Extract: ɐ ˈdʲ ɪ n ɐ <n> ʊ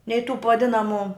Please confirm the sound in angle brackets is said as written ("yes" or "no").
no